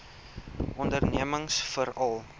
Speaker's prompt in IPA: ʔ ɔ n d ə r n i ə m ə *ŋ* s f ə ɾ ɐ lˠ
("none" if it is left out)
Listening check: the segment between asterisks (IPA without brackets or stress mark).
ŋ